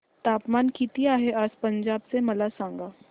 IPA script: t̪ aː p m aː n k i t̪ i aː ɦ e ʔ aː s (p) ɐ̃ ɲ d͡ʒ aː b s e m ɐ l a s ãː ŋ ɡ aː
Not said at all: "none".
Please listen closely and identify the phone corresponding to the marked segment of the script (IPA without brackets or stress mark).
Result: p